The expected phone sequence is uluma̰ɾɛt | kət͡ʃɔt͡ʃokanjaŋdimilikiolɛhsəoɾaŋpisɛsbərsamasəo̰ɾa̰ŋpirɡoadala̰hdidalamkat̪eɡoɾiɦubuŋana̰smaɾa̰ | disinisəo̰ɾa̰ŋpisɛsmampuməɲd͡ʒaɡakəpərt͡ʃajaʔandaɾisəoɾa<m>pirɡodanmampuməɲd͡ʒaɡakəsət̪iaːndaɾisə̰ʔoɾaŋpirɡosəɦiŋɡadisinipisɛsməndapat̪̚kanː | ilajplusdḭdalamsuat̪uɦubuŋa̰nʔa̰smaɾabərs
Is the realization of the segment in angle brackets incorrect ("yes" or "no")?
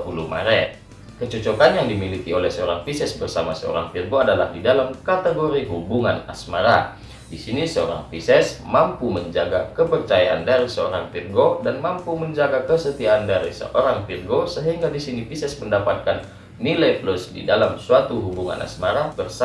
yes